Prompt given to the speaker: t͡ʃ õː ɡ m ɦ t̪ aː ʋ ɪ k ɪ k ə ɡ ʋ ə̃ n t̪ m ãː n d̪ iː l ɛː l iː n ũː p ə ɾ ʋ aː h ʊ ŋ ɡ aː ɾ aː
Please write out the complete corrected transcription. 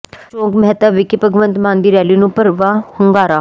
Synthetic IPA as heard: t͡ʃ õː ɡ m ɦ t̪ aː ʋ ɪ k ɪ p ə ɡ ʋ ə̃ n t̪ m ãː n d̪ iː ɾ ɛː l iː n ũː p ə ɾ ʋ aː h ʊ ŋ ɡ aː ɾ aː